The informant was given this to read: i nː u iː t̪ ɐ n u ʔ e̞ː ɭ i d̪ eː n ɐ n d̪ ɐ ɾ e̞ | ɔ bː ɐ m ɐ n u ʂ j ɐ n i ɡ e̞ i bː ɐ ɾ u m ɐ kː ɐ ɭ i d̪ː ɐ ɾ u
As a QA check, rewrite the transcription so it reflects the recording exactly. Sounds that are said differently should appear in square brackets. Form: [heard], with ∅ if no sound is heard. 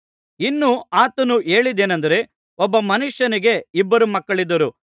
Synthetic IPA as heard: i nː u [aː] t̪ ɐ n u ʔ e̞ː ɭ i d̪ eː n ɐ n d̪ ɐ ɾ e̞ | ɔ bː ɐ m ɐ n u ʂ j ɐ n i ɡ e̞ i bː ɐ ɾ u m ɐ kː ɐ ɭ i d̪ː ɐ ɾ u

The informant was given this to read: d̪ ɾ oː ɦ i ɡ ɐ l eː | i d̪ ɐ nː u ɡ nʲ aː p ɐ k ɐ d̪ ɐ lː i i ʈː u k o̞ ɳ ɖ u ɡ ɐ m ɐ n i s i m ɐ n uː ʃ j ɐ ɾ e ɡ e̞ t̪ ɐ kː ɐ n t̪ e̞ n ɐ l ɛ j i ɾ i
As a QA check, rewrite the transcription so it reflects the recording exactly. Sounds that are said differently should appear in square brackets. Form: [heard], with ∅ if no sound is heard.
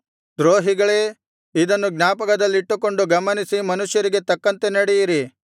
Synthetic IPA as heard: d̪ ɾ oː ɦ i ɡ ɐ [ɭ] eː | i d̪ ɐ nː u ɡ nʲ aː p ɐ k ɐ d̪ ɐ lː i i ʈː u k o̞ ɳ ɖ u ɡ ɐ m ɐ n i s i m ɐ n [u] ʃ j ɐ ɾ [i] ɡ e̞ t̪ ɐ kː ɐ n t̪ e̞ n ɐ [ɽ] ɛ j i ɾ i

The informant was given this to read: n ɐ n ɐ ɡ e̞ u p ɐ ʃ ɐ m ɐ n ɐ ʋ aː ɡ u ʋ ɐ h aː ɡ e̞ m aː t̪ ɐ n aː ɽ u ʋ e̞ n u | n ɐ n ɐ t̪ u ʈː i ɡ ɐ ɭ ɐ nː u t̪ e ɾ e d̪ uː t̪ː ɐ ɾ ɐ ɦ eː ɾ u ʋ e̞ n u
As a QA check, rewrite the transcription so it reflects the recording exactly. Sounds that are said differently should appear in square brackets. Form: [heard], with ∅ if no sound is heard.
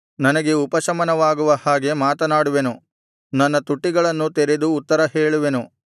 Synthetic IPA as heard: n ɐ n ɐ ɡ e̞ u p ɐ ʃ ɐ m ɐ n ɐ ʋ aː ɡ u ʋ ɐ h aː ɡ e̞ m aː t̪ ɐ n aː ɽ u ʋ e̞ n u | n ɐ [nː] ɐ t̪ u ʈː i ɡ ɐ ɭ ɐ nː u t̪ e ɾ e d̪ uː t̪ː ɐ ɾ ɐ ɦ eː [ɭ] u ʋ e̞ n u

